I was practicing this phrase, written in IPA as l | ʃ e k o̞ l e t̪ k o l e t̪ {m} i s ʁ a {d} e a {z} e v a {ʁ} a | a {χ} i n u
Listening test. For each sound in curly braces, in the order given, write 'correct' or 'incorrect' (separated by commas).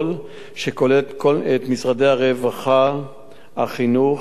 correct, correct, incorrect, incorrect, correct